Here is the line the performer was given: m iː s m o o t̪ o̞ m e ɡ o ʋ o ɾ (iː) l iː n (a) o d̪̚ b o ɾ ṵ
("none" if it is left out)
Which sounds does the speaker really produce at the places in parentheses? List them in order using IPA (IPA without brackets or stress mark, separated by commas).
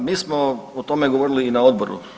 i, a